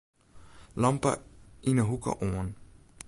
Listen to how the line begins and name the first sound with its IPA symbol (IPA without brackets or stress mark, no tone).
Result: l